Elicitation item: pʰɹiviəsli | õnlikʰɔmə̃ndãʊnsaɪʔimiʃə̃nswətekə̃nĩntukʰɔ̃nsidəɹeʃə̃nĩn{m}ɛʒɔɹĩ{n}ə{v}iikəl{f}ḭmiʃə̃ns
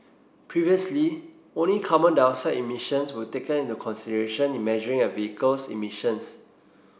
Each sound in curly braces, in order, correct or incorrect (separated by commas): correct, incorrect, correct, incorrect